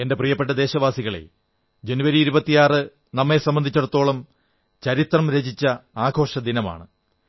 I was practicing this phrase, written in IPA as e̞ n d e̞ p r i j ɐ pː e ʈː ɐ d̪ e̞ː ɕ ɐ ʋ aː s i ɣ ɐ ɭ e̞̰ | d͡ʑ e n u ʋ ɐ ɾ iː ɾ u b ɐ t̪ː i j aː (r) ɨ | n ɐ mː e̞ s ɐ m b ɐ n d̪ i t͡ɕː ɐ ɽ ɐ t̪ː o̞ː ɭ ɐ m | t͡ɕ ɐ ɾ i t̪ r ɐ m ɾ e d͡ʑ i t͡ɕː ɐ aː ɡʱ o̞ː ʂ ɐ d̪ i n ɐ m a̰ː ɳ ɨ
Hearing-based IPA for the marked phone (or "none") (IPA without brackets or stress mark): r